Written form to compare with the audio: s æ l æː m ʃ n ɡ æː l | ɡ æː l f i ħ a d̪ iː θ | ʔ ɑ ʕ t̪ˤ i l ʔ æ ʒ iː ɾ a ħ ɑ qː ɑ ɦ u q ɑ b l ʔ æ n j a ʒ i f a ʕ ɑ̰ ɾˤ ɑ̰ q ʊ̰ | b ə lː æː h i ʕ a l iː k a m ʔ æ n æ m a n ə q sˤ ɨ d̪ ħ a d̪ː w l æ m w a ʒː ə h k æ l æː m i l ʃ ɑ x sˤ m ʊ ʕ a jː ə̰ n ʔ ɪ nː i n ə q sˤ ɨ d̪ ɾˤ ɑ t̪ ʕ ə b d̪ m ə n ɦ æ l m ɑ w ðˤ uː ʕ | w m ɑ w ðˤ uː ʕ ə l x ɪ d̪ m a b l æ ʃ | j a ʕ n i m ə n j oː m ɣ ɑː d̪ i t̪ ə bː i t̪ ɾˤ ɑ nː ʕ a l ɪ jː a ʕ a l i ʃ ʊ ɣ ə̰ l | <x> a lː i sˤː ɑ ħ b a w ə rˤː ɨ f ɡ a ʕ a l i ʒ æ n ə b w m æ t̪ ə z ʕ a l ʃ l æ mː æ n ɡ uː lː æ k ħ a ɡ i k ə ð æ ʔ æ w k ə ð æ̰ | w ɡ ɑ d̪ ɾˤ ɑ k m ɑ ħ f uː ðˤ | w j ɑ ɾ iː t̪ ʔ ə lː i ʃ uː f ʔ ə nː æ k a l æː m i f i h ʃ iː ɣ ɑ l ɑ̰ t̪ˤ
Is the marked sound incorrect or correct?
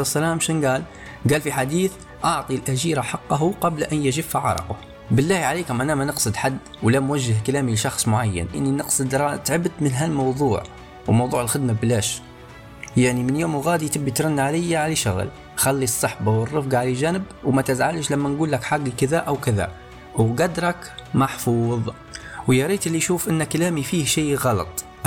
correct